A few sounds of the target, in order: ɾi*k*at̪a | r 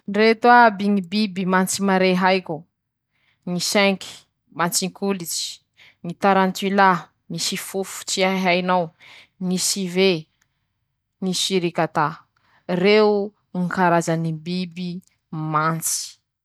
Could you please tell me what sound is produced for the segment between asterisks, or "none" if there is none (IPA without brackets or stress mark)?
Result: k